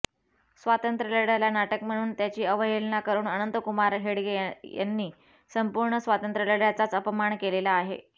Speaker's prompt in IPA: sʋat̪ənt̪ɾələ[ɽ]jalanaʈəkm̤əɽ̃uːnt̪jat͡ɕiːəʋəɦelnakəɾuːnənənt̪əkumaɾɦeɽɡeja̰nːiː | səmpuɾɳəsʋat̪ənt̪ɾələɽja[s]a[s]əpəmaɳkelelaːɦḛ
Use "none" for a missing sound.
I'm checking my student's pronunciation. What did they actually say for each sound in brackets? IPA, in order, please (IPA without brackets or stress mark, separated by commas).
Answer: ɽ, t͡s, t͡s